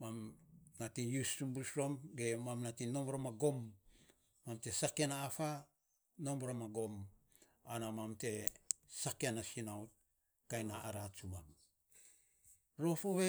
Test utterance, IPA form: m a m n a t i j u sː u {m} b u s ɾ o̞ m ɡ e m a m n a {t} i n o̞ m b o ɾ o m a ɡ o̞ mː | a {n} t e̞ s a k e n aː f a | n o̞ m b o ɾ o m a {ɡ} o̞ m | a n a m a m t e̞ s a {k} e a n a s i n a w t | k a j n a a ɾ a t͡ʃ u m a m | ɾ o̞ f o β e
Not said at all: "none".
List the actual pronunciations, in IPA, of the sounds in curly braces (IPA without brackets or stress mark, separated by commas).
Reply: m, t, m, ɡ, k